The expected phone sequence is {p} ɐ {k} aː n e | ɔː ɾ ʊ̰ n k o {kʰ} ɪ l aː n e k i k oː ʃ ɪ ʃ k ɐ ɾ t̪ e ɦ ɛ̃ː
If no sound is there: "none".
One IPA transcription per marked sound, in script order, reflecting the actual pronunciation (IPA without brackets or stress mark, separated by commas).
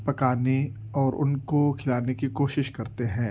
p, k, kʰ